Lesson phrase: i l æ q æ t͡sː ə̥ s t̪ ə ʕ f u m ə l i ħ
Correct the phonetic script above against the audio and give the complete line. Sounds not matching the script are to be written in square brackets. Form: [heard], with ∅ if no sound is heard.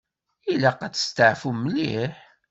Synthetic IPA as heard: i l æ q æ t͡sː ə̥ s t̪ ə ʕ f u m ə l i ħ